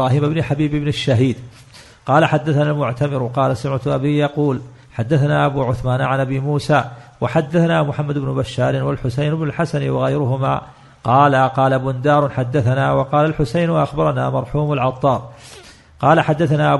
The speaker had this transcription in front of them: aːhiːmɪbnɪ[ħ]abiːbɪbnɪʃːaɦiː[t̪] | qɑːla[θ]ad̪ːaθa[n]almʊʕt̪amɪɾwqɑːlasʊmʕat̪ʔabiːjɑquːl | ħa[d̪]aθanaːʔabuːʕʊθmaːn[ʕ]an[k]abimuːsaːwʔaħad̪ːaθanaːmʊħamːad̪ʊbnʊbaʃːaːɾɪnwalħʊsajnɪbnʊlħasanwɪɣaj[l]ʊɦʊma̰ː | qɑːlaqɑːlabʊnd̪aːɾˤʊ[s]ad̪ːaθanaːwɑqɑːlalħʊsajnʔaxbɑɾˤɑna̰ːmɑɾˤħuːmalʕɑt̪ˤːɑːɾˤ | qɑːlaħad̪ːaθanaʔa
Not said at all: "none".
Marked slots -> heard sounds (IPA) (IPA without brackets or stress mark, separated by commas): ħ, d̪, ħ, n, d̪ː, ʕ, ʔ, ɾ, ħ